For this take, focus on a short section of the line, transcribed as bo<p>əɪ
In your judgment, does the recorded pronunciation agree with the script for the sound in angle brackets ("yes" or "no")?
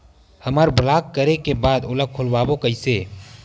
no